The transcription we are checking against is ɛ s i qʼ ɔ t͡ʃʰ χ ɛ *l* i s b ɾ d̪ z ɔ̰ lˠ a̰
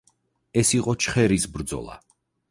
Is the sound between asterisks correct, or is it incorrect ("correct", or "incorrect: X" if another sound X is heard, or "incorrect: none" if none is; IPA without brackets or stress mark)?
incorrect: ɾ